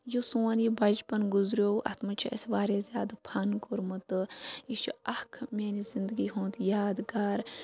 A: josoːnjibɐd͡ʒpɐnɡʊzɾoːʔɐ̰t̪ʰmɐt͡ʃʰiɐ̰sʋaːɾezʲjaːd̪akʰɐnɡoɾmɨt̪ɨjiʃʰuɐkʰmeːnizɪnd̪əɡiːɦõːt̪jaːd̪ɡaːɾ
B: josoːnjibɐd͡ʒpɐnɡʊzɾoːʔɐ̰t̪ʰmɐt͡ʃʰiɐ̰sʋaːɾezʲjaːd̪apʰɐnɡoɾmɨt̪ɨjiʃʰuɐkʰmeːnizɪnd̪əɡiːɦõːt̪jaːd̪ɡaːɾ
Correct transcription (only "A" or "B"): B